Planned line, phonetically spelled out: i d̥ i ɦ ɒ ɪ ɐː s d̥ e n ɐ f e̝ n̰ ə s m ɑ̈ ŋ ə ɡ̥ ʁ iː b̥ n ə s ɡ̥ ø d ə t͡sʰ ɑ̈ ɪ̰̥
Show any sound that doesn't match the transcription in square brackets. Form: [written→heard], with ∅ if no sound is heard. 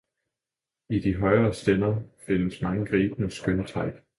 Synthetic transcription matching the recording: i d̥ i ɦ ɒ ɪ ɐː s d̥ e n ɐ f e̝ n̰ ə s m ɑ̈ ŋ ə ɡ̥ ʁ iː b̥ n ə s ɡ̥ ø [d→n] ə t͡sʰ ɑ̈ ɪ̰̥